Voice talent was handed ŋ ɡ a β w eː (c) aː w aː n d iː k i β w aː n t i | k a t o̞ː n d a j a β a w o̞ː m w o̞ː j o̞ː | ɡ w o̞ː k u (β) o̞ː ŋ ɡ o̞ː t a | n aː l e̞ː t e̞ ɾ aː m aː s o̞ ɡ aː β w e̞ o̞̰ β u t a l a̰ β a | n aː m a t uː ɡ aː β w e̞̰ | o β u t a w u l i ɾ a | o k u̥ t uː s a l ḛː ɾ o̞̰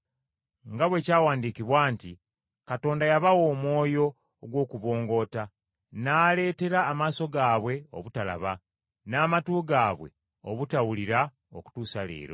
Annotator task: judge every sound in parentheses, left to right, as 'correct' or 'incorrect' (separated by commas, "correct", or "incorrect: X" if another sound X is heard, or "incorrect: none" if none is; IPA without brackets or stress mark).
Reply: correct, correct